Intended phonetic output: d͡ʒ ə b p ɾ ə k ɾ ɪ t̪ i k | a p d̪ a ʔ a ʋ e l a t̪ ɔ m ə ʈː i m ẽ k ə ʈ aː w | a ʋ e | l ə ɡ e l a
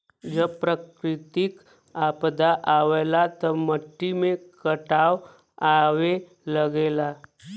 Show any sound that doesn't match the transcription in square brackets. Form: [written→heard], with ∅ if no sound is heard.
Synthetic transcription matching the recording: d͡ʒ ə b p ɾ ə k ɾ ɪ t̪ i k | a p d̪ a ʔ a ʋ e l a t̪ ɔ m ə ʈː i m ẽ k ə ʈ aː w | a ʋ e | l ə ɡ e l a